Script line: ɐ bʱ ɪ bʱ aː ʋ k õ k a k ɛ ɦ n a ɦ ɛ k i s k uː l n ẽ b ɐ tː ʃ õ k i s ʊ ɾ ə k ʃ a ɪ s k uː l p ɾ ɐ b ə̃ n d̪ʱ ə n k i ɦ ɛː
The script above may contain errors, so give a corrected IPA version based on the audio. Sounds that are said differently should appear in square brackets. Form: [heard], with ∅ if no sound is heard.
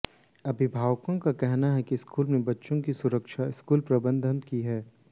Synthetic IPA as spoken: ɐ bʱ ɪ bʱ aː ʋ k õ k a k ɛ ɦ n a ɦ ɛ k i s k uː l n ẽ b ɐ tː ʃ õ k i s ʊ ɾ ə k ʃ a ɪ s k uː l p ɾ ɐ b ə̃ n d̪ʱ ə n k i ɦ ɛː